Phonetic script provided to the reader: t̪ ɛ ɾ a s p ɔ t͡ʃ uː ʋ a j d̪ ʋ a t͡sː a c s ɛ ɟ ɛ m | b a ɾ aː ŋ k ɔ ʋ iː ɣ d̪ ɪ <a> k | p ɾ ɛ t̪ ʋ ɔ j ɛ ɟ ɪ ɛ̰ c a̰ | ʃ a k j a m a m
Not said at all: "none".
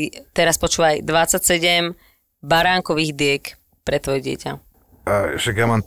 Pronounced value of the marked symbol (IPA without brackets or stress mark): ɛ